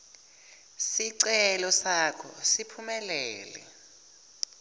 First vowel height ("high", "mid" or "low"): high